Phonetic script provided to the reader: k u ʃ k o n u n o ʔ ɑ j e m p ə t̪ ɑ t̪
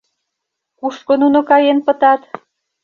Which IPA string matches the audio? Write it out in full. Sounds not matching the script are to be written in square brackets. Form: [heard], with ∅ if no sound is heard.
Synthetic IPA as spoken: k u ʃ k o n u n o [k] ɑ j e [n] p ə t̪ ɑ t̪